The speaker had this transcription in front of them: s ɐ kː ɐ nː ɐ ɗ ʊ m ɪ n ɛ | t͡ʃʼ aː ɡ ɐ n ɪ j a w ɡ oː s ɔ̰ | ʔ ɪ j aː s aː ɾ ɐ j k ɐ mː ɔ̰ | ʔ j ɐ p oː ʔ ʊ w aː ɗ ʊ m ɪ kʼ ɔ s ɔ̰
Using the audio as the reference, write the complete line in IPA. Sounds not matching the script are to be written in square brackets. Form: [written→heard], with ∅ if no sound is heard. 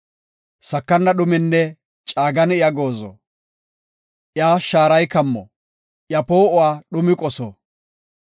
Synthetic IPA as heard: s ɐ kː ɐ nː ɐ ɗ ʊ m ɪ [n→nː] ɛ | t͡ʃʼ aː ɡ ɐ n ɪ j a [w→∅] ɡ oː [s→z] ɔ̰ | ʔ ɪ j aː [s→ʃ] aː ɾ ɐ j k ɐ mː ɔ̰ | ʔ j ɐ p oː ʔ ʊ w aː ɗ ʊ m ɪ kʼ ɔ s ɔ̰